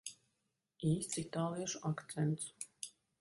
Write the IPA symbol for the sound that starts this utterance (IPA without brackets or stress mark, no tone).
iː